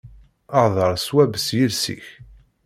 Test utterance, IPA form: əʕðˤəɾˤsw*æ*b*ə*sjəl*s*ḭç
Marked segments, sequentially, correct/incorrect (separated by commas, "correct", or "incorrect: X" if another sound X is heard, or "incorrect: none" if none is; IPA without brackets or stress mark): correct, correct, correct